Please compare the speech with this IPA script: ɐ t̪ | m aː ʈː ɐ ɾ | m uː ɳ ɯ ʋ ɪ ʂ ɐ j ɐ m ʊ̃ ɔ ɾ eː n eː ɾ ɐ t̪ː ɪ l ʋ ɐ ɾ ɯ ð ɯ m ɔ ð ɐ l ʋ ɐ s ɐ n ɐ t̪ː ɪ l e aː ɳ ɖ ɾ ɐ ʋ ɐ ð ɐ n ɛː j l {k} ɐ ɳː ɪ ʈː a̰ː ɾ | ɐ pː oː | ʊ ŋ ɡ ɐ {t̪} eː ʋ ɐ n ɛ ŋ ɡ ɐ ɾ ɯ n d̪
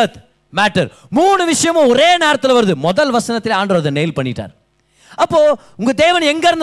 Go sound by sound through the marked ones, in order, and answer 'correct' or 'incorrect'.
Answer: incorrect: p, incorrect: d̪

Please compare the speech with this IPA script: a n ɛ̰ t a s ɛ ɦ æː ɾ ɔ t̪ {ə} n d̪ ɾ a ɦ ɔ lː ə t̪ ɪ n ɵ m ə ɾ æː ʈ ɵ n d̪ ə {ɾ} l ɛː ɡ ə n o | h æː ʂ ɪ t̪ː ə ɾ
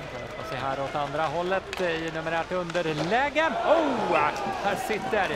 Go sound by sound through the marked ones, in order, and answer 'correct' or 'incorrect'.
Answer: incorrect: a, correct

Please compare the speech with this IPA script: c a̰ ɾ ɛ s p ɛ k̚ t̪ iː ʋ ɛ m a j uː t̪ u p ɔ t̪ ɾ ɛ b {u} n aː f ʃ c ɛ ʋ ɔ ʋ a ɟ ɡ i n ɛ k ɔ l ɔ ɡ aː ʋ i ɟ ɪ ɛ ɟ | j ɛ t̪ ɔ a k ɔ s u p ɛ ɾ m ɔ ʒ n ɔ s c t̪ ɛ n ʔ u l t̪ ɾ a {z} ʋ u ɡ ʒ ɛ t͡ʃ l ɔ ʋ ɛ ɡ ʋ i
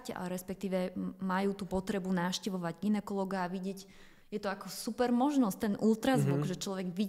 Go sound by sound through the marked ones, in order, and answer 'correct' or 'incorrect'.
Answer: correct, correct

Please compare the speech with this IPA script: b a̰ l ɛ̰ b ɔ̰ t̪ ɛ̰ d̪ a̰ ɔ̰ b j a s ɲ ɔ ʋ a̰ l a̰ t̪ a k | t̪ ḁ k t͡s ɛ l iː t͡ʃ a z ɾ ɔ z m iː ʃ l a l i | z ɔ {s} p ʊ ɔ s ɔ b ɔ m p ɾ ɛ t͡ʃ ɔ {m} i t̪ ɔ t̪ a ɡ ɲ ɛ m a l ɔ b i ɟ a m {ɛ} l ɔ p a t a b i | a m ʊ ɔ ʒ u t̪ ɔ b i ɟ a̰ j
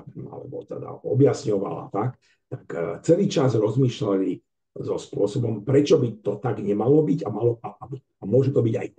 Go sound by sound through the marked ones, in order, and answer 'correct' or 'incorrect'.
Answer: correct, incorrect: b, incorrect: a

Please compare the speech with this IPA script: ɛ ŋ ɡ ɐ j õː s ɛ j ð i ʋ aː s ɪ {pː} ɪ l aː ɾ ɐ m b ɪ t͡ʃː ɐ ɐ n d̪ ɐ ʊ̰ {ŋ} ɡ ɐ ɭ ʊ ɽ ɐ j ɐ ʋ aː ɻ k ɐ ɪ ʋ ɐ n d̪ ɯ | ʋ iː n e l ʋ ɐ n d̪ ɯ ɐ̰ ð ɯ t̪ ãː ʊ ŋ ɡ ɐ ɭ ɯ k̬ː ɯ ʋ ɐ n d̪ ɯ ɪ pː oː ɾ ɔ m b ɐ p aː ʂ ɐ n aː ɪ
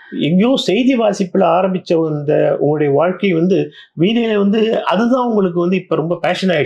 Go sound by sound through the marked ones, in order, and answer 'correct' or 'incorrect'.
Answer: correct, correct

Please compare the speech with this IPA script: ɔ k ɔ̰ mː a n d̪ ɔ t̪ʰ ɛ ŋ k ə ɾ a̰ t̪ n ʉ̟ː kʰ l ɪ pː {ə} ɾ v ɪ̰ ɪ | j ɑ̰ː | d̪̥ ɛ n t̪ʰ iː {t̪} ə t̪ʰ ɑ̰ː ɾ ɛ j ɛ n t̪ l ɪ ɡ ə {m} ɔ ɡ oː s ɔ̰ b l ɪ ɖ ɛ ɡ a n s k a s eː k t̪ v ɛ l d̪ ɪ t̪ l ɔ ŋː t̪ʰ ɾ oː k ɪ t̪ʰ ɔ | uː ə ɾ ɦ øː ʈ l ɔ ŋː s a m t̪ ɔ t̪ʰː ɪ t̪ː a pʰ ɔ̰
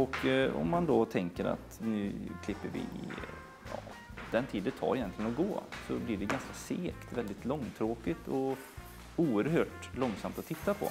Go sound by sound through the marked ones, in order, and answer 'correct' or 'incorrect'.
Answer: correct, incorrect: d̪, incorrect: n

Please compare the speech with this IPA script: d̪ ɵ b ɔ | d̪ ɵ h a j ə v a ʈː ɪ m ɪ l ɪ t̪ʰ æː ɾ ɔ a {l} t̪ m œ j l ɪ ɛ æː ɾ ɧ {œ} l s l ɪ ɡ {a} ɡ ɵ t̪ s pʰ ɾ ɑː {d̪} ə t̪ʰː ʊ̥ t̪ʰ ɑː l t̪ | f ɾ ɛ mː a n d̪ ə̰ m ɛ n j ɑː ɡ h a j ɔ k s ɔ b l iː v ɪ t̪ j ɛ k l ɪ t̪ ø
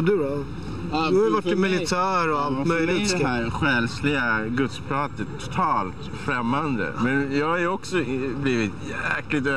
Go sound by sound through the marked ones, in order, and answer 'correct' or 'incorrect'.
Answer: correct, incorrect: ɛ, correct, incorrect: t̪

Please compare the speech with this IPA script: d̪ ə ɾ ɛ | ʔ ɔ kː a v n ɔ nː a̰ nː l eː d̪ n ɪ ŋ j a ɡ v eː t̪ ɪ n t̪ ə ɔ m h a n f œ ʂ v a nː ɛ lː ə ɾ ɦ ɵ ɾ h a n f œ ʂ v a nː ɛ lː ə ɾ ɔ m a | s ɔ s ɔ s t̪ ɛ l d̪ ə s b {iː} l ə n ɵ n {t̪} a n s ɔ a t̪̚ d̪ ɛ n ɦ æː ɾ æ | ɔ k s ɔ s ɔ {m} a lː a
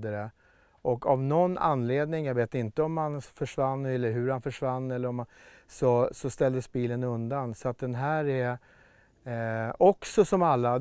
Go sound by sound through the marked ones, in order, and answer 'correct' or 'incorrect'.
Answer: correct, incorrect: d̪, correct

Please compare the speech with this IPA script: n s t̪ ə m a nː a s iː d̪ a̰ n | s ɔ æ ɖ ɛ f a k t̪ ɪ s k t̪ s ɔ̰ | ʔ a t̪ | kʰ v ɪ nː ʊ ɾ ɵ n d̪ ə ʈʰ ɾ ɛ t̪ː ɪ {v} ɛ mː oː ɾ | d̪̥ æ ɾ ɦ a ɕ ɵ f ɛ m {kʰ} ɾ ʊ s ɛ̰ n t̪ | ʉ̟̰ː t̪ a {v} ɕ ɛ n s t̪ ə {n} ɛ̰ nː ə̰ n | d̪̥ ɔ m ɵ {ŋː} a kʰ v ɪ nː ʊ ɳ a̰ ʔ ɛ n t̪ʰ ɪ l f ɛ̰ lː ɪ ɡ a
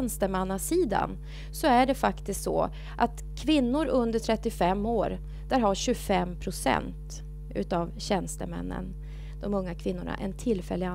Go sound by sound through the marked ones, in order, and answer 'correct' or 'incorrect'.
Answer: incorrect: f, incorrect: pʰ, correct, incorrect: m, correct

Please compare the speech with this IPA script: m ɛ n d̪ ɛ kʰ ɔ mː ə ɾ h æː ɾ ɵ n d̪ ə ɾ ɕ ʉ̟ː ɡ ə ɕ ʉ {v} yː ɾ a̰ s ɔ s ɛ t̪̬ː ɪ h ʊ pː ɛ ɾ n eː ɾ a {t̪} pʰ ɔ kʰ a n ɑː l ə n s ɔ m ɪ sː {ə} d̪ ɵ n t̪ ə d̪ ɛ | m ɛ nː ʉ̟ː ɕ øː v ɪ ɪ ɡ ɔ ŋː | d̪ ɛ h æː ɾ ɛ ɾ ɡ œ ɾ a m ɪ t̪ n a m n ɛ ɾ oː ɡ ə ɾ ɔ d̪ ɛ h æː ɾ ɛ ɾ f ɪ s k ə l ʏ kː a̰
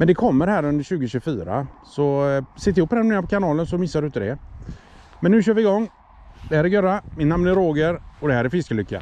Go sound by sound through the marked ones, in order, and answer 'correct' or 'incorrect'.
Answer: incorrect: f, incorrect: none, incorrect: a

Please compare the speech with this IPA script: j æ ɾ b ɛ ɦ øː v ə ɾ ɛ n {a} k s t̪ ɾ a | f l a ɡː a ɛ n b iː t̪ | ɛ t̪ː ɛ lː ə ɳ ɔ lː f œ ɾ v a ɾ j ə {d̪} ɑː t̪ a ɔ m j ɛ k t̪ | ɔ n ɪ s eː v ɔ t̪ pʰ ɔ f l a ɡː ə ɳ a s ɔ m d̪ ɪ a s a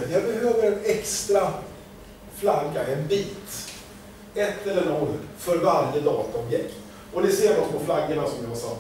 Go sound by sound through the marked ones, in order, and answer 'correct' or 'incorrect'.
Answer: incorrect: ɛ, correct

